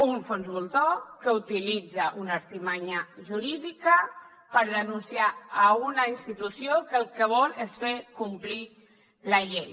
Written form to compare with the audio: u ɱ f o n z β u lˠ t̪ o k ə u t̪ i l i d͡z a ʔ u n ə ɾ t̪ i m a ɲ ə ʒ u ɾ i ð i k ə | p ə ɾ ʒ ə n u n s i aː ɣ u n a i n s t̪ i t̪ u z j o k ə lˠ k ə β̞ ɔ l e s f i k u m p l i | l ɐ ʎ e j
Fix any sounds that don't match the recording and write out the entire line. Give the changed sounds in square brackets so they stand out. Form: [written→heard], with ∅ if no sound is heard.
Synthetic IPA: u ɱ f o n z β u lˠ t̪ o k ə u t̪ i l i d͡z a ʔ u n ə ɾ t̪ i m a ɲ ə ʒ u ɾ i ð i k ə | p ə ɾ [ʒ→ð] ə n u n s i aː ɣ u n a i n s t̪ i t̪ u [z→s] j o k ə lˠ k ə β̞ ɔ l e s f [i→e] k u m p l i | l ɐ ʎ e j